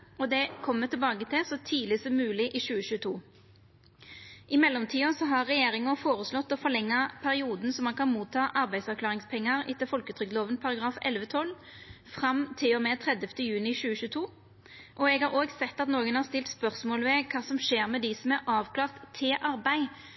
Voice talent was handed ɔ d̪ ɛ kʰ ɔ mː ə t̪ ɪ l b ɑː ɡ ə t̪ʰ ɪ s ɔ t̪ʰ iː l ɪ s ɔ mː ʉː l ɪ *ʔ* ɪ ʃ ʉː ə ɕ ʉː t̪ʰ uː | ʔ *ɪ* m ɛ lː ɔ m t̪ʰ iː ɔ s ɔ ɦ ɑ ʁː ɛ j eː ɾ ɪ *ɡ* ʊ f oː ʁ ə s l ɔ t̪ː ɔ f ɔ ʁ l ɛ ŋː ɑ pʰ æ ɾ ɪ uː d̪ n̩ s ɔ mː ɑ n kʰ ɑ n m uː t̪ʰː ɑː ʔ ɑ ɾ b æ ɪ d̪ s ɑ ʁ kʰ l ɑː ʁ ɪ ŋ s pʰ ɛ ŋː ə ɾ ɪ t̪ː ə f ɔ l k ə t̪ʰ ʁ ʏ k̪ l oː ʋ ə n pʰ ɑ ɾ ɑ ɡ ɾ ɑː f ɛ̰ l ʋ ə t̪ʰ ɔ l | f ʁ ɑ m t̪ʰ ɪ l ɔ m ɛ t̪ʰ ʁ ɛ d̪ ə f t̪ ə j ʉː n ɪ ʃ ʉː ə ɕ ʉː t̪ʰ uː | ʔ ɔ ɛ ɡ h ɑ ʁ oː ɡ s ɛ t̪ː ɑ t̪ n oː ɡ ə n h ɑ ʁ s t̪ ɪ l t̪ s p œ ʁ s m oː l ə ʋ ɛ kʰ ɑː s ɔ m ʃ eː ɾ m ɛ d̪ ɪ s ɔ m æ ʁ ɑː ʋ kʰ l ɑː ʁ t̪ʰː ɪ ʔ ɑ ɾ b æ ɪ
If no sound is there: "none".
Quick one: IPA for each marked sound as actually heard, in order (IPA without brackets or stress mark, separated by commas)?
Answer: ʔ, ɪ, ŋ